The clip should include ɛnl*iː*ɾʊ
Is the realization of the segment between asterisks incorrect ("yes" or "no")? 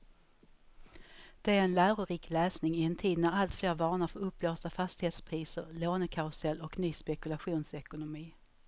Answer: yes